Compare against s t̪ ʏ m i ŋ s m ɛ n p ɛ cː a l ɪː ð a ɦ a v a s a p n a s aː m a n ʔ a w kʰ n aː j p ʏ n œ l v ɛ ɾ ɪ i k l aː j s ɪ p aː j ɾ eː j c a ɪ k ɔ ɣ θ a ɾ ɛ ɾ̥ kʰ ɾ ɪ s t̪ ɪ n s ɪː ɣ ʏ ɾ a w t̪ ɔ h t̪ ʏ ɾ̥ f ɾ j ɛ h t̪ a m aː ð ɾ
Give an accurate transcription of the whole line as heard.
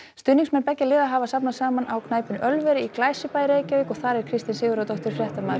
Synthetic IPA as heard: s t̪ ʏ n i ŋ s m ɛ n p ɛ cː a l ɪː ð a ɦ a v a s a p n a s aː m a n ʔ a w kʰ n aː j p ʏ n œ l v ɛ ɾ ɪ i k l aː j s ɪ p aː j ɾ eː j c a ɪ k ɔ ɣ θ a ɾ ɛ ɾ̥ kʰ ɾ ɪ s t̪ ɪ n s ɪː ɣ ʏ ɾ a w t̪ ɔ h t̪ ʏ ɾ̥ f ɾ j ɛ h t̪ a m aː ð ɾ